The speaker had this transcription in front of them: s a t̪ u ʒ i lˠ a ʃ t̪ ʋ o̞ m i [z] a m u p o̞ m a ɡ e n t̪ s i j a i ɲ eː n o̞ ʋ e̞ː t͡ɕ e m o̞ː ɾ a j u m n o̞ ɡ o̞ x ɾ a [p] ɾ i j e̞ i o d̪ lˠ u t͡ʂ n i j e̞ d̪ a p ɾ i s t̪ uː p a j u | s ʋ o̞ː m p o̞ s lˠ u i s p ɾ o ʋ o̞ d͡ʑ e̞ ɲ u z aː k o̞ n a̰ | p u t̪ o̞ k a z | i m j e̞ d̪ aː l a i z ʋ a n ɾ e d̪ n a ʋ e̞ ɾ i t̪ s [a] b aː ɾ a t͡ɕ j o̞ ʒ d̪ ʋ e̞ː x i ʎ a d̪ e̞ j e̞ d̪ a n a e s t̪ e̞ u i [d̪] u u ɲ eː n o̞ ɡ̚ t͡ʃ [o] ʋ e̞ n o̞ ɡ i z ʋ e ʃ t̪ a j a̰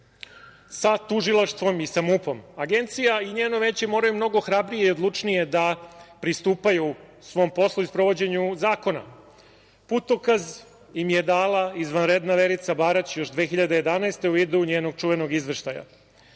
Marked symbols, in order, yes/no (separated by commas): no, no, yes, yes, no